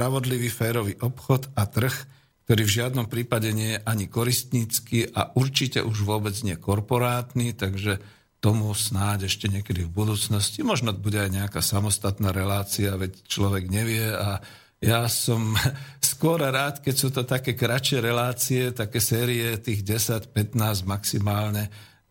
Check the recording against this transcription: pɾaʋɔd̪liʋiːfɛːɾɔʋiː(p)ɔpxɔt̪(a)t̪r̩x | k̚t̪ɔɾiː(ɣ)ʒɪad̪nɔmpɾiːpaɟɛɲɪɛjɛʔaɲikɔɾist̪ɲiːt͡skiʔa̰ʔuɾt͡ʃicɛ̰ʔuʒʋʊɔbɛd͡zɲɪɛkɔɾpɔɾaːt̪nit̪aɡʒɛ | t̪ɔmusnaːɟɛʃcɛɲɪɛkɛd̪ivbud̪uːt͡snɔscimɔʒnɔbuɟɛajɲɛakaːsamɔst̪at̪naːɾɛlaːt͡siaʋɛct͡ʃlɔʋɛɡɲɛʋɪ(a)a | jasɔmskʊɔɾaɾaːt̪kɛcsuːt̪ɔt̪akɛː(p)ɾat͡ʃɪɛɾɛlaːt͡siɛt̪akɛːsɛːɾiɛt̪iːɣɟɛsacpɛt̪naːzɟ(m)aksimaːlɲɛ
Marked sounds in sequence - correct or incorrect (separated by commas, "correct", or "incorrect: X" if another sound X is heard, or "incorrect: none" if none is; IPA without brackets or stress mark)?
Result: incorrect: ʔ, correct, incorrect: v, incorrect: ɛ, incorrect: k, correct